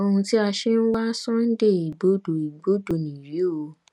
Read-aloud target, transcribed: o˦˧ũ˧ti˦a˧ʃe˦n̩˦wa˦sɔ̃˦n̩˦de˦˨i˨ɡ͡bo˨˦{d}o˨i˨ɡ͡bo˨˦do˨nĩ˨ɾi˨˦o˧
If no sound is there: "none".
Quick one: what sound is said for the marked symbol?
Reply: d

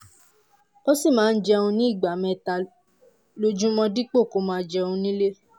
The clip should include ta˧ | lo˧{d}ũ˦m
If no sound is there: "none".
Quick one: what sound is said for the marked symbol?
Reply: d͡ʒ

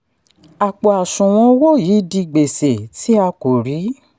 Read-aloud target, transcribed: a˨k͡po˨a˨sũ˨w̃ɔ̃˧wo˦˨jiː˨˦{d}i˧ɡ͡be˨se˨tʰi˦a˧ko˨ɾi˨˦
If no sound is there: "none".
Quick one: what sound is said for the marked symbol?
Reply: d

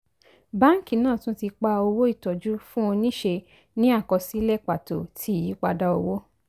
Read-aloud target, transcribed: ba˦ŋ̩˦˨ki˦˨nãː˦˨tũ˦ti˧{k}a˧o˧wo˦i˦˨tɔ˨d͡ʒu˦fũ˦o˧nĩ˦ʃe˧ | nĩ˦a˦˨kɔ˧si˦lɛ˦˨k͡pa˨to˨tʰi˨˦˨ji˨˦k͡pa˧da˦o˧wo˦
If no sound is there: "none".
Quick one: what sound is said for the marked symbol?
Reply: k͡p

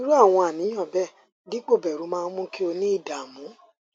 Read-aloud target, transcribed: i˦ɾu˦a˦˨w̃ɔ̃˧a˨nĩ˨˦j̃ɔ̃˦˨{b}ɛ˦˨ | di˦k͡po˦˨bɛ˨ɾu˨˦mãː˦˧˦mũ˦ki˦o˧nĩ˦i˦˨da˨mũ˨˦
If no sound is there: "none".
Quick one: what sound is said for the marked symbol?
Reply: b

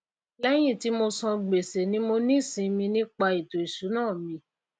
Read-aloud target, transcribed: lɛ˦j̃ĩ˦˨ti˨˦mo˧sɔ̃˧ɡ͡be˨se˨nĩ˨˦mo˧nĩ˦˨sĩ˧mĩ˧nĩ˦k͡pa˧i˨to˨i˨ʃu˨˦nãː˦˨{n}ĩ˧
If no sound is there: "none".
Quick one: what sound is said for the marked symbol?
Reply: m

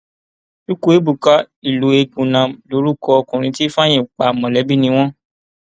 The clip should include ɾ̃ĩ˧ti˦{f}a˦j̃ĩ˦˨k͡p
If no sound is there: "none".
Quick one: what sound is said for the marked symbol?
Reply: f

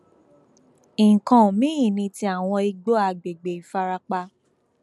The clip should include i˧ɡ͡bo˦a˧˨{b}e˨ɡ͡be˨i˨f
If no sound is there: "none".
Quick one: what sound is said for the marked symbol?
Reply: ɡ͡b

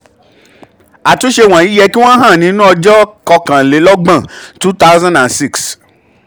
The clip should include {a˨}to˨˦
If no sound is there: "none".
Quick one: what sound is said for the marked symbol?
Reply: a˨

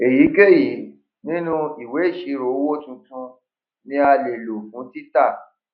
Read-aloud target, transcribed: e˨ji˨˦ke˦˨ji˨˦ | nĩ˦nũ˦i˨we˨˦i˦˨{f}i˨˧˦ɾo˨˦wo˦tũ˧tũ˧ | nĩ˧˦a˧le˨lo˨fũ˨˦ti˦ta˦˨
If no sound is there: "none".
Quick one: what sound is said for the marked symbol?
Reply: ʃ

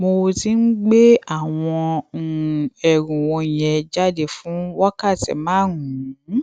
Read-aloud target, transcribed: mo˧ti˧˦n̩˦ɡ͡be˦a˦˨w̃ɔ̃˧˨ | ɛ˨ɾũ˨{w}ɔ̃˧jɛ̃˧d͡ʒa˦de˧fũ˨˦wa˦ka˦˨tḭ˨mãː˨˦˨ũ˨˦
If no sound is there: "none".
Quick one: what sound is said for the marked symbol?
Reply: w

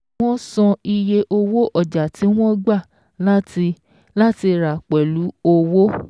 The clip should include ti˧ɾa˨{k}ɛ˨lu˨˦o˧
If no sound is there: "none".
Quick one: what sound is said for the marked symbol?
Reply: k͡p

